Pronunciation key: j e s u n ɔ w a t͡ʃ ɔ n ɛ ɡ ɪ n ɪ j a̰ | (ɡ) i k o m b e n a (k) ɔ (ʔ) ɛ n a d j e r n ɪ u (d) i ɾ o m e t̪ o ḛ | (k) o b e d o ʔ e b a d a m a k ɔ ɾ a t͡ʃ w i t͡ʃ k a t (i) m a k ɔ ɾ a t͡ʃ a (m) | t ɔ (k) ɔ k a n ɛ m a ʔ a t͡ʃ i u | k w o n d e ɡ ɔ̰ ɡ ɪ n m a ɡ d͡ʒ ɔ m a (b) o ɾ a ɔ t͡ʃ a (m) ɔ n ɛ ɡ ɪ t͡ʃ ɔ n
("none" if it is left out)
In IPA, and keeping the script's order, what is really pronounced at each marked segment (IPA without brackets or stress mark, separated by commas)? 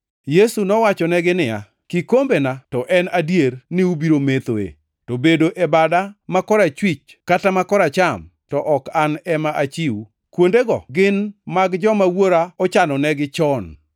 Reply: k, t, ʔ, b, t, a, m, ʔ, w, n